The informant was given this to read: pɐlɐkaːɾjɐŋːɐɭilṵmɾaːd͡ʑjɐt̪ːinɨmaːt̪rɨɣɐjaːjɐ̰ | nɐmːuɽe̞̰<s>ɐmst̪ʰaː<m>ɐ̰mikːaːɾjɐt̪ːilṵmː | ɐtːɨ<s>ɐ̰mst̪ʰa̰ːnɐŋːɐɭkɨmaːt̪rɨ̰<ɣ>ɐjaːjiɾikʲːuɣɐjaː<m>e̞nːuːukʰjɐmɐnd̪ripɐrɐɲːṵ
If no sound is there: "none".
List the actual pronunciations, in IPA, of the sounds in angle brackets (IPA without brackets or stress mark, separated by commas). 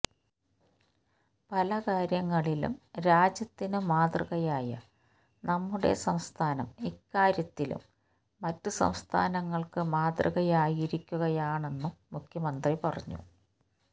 s, n, s, ɣ, ɳ